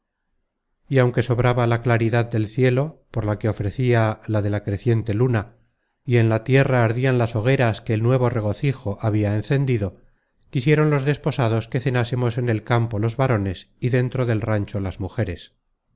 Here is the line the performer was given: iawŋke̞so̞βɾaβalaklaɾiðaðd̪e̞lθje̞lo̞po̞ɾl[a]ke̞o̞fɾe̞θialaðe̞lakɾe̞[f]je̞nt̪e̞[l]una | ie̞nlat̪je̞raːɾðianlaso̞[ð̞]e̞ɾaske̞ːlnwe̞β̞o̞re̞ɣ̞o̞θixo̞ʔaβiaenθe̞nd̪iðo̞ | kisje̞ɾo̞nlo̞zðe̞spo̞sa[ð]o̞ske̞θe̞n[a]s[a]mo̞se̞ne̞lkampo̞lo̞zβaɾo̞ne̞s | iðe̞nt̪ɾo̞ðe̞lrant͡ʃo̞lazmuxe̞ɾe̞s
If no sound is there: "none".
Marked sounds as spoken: a, θ, l, ɣ̞, ð, a, e

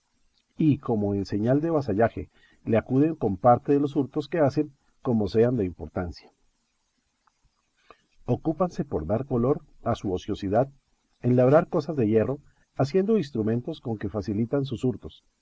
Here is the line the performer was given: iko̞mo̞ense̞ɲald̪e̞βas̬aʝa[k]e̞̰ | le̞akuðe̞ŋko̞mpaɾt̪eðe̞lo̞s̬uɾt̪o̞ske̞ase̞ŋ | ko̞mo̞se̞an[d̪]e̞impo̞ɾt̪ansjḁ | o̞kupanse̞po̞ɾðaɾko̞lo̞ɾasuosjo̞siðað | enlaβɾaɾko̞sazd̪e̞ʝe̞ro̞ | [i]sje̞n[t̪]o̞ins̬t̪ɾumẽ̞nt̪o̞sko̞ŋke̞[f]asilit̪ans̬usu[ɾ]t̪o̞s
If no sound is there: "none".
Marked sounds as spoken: x, d̪, a, d̪, f, ɾ

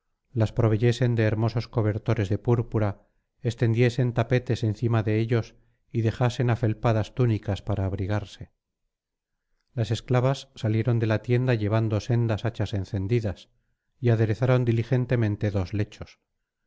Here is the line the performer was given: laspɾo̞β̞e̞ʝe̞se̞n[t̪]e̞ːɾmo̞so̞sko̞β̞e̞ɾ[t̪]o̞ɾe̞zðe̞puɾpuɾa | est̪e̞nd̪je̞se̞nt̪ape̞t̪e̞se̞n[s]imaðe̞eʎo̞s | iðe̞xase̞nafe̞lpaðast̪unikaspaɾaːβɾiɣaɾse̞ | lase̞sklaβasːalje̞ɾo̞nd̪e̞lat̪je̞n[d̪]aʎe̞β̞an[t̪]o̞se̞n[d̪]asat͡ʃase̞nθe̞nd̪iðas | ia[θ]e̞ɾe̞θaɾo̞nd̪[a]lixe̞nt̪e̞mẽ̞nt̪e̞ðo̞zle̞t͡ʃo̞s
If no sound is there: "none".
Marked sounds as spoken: d̪, t̪, θ, d̪, d̪, d̪, ð, i

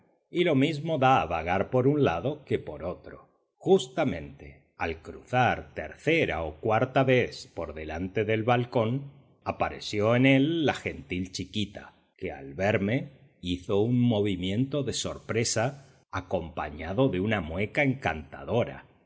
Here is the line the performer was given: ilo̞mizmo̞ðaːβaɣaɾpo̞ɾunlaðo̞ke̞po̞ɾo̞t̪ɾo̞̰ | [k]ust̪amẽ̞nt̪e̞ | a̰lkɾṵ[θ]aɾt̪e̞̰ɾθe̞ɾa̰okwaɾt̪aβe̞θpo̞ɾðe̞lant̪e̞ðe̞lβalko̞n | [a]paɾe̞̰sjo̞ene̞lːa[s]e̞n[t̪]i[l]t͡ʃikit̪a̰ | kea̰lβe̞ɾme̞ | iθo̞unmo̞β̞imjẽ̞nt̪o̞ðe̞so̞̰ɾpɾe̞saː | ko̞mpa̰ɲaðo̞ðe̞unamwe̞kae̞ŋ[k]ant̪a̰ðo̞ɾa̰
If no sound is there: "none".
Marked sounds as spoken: x, θ, a, x, t̪, l, k

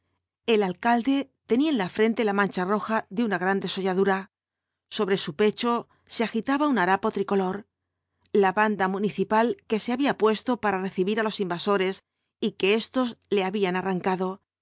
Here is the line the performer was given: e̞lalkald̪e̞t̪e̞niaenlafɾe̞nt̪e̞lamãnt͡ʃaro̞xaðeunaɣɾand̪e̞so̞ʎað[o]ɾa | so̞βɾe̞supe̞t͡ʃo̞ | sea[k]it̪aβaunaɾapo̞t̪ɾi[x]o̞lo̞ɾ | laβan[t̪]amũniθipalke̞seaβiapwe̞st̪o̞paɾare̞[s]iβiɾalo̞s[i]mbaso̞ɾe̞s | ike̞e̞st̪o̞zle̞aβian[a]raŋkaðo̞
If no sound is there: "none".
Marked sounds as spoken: u, x, k, d̪, θ, i, a

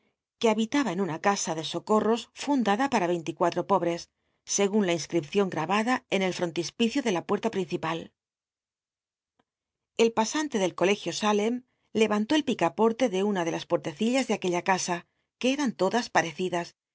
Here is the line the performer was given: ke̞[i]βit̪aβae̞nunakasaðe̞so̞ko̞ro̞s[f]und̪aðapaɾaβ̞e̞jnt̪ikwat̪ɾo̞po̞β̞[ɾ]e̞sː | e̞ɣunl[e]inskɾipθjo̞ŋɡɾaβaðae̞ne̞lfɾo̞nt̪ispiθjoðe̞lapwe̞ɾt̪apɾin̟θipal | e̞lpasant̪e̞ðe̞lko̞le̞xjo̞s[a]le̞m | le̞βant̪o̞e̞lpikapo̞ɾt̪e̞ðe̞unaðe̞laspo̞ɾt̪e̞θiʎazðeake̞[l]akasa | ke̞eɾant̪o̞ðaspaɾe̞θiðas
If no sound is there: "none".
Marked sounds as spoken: a, f, ɾ, a, a, ʎ

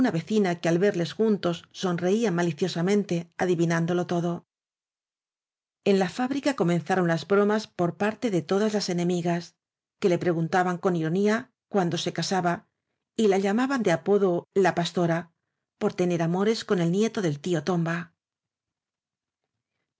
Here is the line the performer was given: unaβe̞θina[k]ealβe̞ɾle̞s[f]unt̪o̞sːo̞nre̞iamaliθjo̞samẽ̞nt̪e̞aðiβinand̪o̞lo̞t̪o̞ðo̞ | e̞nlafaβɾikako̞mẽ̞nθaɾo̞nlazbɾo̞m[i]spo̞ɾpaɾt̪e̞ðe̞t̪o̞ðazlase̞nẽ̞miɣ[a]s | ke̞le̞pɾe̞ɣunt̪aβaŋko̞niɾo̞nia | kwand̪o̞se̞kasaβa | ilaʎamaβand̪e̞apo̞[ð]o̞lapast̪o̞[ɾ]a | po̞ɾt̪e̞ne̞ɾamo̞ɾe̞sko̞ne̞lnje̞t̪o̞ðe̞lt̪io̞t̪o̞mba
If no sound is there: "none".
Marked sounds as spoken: k, x, a, a, ð, ɾ

